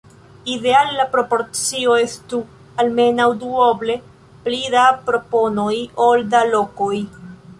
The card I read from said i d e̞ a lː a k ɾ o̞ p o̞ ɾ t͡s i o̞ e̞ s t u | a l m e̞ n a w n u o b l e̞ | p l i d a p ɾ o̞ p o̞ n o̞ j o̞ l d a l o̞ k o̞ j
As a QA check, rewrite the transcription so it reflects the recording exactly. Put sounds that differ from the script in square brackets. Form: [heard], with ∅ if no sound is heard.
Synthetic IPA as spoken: i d e̞ a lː a [p] ɾ o̞ p o̞ ɾ t͡s i o̞ e̞ s t u | a l m e̞ n a w [d] u o b l e̞ | p l i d a p ɾ o̞ p o̞ n o̞ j o̞ l d a l o̞ k o̞ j